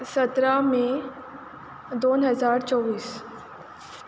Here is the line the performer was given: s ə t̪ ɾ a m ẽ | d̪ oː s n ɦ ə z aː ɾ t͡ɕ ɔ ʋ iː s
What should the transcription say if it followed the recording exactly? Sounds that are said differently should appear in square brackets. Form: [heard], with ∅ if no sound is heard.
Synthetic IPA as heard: s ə t̪ ɾ a m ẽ | d̪ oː [∅] n ɦ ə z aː ɾ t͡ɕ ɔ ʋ iː s